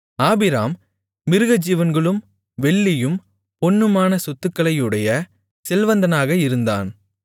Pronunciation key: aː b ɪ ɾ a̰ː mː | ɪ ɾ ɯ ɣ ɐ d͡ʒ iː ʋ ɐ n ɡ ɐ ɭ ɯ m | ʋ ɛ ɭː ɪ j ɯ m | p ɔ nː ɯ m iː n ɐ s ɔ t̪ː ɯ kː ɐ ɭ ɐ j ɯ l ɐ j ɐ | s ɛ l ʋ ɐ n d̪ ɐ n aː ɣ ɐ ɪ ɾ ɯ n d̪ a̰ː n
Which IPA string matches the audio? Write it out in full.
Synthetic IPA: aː b ɪ ɾ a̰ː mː | ɪ ɾ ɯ ɣ ɐ d͡ʒ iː ʋ ɐ n ɡ ɐ ɭ ɯ m | ʋ ɛ ɭː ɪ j ɯ m | p ɔ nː ɯ m aː n ɐ s ɔ t̪ː ɯ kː ɐ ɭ ɐ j ɯ ɽ ɐ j ɐ | s ɛ l ʋ ɐ n d̪ ɐ n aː ɣ ɐ ɪ ɾ ɯ n d̪ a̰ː n